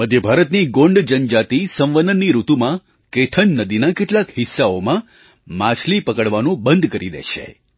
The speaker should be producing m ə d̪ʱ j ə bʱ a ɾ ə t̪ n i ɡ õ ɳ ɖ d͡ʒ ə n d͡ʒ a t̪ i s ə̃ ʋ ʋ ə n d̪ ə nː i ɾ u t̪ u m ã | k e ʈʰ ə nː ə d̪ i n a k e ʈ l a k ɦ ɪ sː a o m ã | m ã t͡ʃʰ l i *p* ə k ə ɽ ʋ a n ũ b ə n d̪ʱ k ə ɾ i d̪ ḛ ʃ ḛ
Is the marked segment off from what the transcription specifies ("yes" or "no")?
no